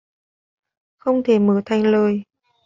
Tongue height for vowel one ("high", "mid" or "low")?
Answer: mid